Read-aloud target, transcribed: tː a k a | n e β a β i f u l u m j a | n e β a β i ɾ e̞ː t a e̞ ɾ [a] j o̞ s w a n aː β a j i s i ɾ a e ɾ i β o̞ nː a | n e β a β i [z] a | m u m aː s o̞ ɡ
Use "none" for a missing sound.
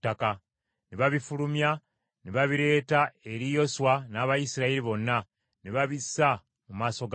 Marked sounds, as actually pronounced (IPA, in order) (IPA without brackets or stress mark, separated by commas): i, s